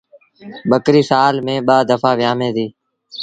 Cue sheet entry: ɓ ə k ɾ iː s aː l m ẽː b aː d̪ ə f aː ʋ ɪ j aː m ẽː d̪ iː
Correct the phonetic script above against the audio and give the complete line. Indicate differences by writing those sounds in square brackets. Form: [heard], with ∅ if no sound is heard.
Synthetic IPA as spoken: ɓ ə k ɾ iː s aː l m ẽː [ɓ] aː d̪ ə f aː ʋ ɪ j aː m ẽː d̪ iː